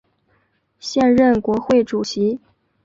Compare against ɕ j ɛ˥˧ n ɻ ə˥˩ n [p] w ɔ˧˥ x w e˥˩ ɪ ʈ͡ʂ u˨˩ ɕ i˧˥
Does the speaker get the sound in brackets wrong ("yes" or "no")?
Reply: yes